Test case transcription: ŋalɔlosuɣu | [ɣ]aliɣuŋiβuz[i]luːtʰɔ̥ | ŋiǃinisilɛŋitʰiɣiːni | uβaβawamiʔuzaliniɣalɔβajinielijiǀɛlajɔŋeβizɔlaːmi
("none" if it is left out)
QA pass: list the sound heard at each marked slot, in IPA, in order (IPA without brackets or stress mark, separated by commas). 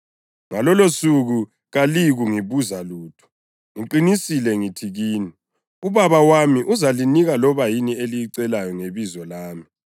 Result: ɣ, a